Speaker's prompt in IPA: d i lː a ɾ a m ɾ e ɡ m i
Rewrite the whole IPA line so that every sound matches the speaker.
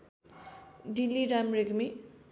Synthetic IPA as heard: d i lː i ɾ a m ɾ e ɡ m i